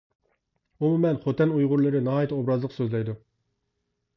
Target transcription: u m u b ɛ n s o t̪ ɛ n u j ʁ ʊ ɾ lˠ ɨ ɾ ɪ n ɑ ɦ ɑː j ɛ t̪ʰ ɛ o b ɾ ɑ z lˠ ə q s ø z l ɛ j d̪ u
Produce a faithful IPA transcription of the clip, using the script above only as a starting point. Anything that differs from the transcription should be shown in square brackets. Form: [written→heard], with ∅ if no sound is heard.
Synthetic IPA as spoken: u m u [b→m] ɛ n [s→χ] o t̪ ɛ n u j ʁ ʊ ɾ lˠ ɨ ɾ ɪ n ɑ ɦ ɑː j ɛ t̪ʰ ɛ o b ɾ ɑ z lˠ ə q s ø z l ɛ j d̪ u